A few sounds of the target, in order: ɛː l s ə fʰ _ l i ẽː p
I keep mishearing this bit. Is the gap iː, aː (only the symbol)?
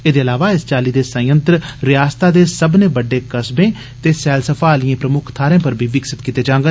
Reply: aː